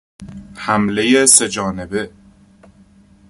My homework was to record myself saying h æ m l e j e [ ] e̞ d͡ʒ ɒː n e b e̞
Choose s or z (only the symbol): s